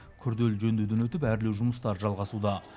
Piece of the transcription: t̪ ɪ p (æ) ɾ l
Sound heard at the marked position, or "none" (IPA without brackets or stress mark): æ